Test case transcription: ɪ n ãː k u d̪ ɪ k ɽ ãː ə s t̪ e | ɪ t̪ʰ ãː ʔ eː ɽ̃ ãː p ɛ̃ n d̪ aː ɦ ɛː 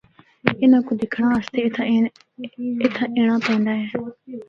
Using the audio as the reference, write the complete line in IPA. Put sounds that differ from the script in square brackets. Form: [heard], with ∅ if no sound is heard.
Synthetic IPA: ɪ n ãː k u d̪ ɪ [kʰ] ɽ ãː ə s t̪ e | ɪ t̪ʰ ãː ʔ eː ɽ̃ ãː p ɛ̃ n d̪ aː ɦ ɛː